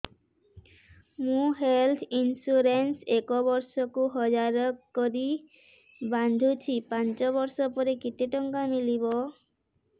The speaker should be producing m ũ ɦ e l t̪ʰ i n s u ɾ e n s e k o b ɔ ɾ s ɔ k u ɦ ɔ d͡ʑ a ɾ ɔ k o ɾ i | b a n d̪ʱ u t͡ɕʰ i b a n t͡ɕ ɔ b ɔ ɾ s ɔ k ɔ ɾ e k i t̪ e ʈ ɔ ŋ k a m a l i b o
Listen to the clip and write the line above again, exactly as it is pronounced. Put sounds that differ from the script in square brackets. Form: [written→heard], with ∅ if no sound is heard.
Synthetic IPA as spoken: m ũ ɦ e l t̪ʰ i n s u ɾ e n s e k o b ɔ ɾ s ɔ k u ɦ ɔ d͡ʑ a ɾ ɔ k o ɾ i | b a n d̪ʱ u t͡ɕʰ i [b→p] a n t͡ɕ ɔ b ɔ ɾ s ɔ [k→p] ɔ ɾ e k i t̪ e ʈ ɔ ŋ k a m [a→i] l i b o